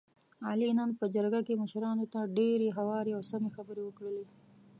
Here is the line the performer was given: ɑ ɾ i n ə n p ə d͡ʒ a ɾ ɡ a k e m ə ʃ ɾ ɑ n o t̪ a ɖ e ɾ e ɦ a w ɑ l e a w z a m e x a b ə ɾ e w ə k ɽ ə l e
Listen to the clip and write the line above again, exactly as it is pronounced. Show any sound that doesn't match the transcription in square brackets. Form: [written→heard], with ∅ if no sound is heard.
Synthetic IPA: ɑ [ɾ→l] i n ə n p ə d͡ʒ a ɾ ɡ a k e m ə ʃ ɾ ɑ n o t̪ a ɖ e ɾ e ɦ a w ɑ [l→ɾ] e a w [z→s] a m e x a b ə ɾ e w ə k ɽ ə l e